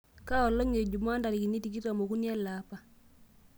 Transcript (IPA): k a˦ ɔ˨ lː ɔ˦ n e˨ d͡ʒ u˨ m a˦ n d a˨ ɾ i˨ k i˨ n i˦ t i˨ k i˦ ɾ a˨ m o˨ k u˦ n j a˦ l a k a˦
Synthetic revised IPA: k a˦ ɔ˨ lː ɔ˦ ŋ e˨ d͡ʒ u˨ m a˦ n d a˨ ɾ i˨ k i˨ n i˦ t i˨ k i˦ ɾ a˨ m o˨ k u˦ n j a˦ l a p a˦

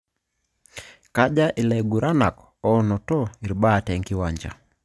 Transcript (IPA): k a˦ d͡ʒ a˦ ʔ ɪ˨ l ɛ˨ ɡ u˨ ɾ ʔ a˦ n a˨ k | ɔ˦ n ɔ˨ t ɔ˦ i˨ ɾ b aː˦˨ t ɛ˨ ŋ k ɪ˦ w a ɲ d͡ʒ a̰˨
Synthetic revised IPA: k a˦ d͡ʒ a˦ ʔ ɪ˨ l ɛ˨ ɡ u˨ ɾ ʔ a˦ n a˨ k | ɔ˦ n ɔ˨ t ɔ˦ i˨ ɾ b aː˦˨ t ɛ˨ ŋ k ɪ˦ w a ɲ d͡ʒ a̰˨

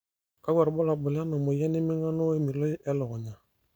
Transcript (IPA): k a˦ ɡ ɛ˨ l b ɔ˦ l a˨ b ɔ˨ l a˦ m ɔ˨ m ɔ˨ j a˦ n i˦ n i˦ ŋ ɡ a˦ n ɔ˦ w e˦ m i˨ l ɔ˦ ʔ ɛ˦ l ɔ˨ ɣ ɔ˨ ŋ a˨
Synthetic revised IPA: k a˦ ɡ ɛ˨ ɾ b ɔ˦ l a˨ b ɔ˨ l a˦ n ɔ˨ m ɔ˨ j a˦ n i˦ m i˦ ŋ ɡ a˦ n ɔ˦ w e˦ m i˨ l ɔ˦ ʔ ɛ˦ l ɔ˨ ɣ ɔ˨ ɲ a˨

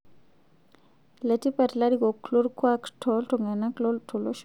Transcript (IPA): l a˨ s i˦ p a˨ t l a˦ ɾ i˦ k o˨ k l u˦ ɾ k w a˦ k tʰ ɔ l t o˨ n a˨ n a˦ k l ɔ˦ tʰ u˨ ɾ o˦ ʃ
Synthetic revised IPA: l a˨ t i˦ p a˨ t l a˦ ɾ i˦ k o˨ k l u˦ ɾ k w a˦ k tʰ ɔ l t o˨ ŋ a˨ n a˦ k l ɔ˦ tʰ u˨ l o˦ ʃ

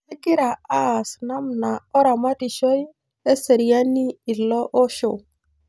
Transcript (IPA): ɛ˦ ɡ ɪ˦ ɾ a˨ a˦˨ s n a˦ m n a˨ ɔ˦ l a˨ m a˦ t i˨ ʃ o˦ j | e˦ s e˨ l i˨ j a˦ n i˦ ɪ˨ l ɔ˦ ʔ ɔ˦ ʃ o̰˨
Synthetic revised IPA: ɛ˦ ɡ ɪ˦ ɾ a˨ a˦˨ s n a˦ m n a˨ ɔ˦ ɾ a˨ m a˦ t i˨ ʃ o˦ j | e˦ s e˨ ɾ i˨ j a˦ n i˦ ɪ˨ l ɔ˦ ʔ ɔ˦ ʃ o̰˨

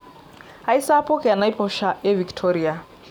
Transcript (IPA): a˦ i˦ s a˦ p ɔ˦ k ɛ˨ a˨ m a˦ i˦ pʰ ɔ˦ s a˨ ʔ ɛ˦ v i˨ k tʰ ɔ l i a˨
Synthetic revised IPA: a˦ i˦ s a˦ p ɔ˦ k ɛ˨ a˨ n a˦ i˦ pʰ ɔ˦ ʃ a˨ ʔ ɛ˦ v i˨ k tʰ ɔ ɾ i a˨

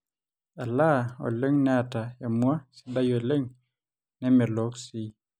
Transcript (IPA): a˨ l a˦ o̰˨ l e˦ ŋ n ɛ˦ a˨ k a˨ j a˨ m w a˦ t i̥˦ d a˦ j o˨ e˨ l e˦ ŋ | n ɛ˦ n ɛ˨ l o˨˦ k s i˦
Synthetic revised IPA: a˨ l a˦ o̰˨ l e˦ ŋ n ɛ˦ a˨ t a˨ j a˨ m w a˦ s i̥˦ d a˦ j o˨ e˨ l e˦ ŋ | n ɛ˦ m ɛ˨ l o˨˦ k s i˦

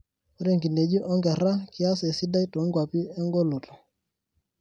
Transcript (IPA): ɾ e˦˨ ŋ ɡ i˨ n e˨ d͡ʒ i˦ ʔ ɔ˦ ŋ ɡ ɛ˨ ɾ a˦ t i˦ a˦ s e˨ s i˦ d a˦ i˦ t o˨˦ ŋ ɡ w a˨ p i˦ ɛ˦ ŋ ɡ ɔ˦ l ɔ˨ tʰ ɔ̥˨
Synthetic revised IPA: ɾ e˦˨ ŋ ɡ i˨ n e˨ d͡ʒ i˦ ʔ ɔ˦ ŋ ɡ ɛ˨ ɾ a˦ k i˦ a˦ s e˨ s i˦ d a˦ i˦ t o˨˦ ŋ ɡ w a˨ p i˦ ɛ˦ ŋ ɡ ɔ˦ l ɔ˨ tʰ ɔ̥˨

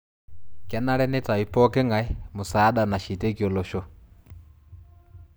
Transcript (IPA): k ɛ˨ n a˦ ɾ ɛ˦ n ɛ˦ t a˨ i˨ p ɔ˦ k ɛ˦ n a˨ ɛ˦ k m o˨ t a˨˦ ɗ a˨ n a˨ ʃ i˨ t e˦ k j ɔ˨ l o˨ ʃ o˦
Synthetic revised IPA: k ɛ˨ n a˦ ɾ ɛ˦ n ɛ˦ t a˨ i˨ p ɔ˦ k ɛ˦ ŋ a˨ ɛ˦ m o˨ s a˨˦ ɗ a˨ n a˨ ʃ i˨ t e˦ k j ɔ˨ l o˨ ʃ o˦

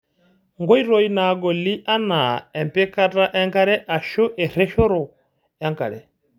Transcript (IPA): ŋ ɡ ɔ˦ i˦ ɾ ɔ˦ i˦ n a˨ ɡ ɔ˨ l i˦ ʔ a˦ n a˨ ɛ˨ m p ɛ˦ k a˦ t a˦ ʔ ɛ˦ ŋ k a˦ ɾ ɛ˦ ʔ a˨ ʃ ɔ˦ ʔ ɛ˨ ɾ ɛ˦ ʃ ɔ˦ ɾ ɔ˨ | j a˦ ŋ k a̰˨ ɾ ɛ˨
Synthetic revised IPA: ŋ ɡ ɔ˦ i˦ ɾ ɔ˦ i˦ n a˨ ɡ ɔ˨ l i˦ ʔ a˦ n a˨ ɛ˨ m p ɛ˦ k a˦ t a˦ ʔ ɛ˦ ŋ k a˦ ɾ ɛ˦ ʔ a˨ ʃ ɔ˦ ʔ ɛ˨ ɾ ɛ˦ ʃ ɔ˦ ɾ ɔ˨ | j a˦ ŋ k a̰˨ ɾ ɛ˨

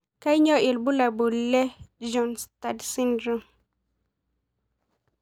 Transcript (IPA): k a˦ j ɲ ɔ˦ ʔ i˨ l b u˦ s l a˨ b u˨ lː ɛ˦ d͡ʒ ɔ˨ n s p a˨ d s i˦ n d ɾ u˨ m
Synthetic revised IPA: k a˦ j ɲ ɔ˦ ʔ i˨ l b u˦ l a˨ b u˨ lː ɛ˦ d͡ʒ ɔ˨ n s t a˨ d s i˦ n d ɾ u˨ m

